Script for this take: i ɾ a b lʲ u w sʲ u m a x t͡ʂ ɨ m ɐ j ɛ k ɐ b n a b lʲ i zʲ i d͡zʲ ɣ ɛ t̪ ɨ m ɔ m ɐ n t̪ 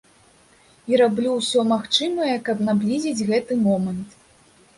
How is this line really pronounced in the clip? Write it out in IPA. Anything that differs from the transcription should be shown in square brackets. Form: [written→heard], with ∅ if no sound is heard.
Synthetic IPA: i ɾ a b lʲ u w sʲ [u→ɔ] m a x t͡ʂ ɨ m ɐ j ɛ k ɐ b n a b lʲ i zʲ i d͡zʲ ɣ ɛ t̪ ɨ m ɔ m ɐ n t̪